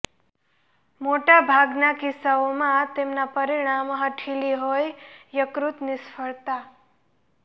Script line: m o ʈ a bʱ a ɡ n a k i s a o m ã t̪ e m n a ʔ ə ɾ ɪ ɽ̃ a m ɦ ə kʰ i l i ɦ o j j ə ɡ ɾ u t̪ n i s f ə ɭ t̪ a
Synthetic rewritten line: m o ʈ a bʱ a ɡ n a k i s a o m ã t̪ e m n a p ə ɾ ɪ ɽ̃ a m ɦ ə ʈʰ i l i ɦ o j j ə k ɾ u t̪ n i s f ə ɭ t̪ a